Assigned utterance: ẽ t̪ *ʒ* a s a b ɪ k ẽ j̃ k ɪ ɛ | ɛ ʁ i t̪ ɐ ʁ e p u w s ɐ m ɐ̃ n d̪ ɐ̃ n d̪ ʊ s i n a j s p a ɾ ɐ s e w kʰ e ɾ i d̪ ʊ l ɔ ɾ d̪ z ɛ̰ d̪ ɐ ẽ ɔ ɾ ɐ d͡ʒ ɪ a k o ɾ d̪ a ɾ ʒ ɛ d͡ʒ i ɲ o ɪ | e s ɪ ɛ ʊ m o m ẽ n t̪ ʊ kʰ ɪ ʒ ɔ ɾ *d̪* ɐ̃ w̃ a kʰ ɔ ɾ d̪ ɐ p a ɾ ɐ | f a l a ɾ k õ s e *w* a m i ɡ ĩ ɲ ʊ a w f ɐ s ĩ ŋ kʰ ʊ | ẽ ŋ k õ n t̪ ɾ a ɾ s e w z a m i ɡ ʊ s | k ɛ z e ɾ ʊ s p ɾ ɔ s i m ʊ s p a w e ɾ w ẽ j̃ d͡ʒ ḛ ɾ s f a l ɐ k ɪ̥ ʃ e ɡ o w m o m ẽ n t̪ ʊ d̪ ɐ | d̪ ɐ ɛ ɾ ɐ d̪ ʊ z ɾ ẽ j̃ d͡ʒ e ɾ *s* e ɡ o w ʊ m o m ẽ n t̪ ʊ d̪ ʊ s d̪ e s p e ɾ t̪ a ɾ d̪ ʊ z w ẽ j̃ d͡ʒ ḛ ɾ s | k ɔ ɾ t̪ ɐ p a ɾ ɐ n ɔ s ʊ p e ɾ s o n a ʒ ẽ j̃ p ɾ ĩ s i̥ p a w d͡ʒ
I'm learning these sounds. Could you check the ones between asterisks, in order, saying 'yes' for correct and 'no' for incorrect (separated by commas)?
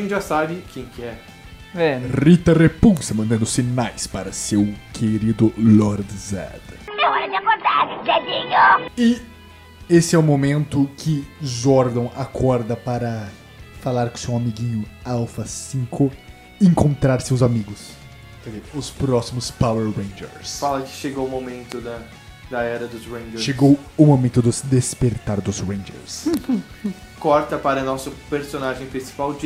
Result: yes, yes, yes, no